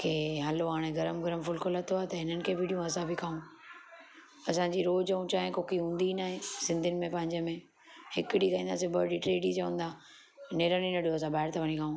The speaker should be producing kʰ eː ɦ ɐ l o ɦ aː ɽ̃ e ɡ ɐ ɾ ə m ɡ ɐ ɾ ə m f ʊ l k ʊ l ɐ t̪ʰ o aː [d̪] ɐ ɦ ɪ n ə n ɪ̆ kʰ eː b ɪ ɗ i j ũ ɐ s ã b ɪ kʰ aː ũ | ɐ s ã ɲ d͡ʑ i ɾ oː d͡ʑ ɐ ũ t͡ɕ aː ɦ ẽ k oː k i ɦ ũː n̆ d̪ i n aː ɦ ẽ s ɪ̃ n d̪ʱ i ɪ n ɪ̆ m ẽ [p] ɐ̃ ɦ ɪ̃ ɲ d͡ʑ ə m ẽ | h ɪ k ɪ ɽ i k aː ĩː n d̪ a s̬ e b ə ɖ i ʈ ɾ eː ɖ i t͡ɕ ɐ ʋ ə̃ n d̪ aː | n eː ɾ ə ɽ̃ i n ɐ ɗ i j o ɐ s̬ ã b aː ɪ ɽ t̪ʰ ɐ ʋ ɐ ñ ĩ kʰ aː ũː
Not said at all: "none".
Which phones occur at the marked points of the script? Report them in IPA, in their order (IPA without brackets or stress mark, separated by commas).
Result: t̪, p